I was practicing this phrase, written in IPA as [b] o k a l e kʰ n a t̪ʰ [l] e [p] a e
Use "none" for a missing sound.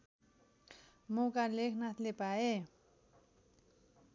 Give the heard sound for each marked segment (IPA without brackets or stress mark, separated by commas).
m, l, p